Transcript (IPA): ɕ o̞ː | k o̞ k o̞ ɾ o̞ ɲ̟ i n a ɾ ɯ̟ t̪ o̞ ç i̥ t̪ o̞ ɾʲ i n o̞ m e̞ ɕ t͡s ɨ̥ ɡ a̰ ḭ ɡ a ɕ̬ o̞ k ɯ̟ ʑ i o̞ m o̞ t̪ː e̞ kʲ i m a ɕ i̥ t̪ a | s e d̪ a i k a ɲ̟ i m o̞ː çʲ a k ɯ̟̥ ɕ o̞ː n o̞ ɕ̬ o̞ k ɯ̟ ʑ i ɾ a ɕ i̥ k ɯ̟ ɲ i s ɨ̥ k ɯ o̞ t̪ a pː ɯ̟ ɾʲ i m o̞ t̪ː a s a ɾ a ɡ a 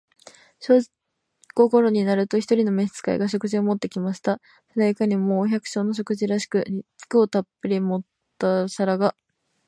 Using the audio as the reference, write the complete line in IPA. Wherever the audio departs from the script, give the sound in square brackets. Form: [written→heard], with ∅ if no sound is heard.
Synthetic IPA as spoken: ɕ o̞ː | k o̞ k o̞ ɾ o̞ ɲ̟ i n a ɾ ɯ̟ t̪ o̞ ç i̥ t̪ o̞ ɾʲ i n o̞ m e̞ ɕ t͡s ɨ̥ [ɡ→k] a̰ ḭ ɡ a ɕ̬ o̞ k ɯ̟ ʑ i o̞ m o̞ t̪ː e̞ kʲ i m a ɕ i̥ t̪ a | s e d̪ a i k a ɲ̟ i m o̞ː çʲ a k ɯ̟̥ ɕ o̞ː n o̞ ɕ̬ o̞ k ɯ̟ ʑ i ɾ a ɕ i̥ k ɯ̟ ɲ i [s→t͡s] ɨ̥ k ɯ o̞ t̪ a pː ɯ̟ ɾʲ i m o̞ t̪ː a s a ɾ a ɡ a